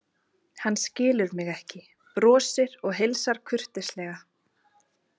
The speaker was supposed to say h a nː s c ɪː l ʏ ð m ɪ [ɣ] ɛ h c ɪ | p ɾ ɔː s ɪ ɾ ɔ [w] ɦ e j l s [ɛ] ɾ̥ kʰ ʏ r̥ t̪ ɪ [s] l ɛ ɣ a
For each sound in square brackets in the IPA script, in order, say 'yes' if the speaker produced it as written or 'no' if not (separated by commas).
yes, no, no, yes